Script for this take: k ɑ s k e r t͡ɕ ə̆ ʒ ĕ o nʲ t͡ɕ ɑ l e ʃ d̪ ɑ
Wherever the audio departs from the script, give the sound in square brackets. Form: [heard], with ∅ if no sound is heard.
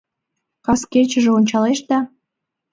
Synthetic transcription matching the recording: k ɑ s k e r t͡ɕ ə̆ ʒ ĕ o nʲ t͡ɕ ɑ l e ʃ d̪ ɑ